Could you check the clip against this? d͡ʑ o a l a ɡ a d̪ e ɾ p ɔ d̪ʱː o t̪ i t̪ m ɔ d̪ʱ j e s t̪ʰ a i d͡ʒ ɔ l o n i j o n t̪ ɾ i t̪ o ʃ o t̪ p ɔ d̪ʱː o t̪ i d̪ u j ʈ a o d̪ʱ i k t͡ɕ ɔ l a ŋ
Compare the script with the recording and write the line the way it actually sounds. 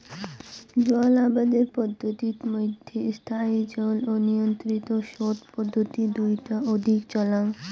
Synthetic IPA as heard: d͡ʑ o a l a b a d̪ e ɾ p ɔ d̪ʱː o t̪ i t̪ m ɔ d̪ʱ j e s t̪ʰ a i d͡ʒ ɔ l o n i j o n t̪ ɾ i t̪ o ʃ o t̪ p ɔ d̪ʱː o t̪ i d̪ u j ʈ a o d̪ʱ i k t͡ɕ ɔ l a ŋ